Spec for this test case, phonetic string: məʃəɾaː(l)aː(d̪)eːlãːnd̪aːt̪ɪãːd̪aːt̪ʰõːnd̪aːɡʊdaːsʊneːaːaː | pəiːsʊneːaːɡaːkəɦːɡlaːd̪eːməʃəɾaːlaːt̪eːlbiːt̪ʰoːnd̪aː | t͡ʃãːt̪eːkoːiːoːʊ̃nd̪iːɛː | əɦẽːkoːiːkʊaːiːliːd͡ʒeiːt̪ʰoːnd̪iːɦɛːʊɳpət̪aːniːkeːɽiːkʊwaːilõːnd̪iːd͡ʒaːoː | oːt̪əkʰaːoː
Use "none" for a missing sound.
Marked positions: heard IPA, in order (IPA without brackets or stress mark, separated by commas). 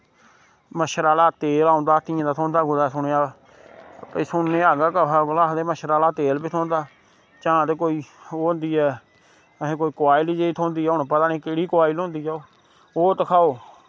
l, t̪